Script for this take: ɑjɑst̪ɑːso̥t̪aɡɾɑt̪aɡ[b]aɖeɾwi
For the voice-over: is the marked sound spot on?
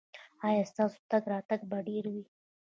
yes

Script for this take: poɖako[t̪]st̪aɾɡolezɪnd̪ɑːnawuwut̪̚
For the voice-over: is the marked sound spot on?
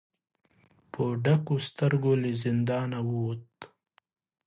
no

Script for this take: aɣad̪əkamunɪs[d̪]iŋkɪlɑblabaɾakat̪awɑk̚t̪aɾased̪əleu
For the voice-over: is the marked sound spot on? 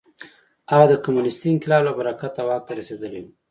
no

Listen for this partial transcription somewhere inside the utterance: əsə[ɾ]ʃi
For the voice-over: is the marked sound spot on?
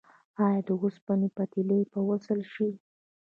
no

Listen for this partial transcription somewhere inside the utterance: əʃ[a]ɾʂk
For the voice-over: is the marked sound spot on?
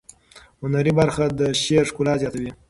no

